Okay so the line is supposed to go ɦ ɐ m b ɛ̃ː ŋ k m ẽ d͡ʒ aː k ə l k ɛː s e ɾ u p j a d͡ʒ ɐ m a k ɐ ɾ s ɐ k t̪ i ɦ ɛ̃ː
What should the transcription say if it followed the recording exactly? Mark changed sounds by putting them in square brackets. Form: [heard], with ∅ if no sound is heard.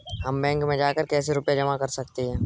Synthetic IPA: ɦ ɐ m b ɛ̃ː ŋ k m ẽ d͡ʒ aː k ə [ɾ] k ɛː s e ɾ [ʊ] p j a d͡ʒ ɐ m a k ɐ ɾ s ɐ k t̪ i ɦ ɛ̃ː